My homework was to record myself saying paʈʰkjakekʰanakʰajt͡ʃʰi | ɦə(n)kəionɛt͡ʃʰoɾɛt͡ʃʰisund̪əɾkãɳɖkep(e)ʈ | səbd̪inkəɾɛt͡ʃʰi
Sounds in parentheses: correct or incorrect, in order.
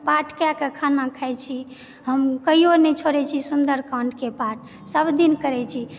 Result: incorrect: m, incorrect: a

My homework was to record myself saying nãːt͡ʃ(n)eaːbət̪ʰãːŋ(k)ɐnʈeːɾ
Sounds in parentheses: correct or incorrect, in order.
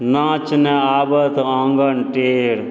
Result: correct, incorrect: ɡ

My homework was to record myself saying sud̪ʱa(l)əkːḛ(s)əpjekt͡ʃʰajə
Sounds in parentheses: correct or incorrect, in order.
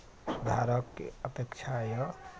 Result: incorrect: ɾ, incorrect: none

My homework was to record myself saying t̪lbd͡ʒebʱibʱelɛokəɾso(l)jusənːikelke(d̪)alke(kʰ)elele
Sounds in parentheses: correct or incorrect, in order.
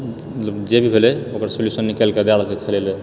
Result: correct, correct, correct

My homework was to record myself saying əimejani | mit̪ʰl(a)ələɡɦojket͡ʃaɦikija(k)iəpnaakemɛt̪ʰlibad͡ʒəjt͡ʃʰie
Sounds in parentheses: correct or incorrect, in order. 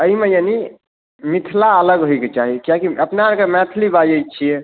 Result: correct, correct

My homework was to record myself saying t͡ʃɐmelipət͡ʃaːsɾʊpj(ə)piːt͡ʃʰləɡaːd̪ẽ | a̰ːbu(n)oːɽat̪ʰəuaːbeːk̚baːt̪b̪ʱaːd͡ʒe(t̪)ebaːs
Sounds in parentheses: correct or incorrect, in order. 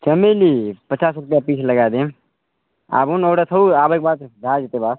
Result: incorrect: a, correct, correct

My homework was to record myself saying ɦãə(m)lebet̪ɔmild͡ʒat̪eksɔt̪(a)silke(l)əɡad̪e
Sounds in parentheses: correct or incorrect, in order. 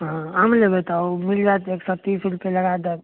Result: correct, incorrect: i, correct

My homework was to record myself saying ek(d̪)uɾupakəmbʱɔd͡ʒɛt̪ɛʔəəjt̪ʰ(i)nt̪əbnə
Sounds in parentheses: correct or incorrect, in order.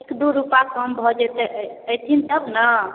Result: correct, correct

